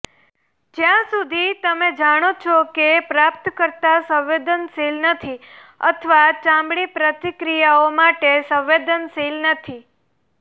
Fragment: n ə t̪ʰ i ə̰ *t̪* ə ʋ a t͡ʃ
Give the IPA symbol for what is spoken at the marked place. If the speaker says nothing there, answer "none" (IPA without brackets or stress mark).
t̪ʰ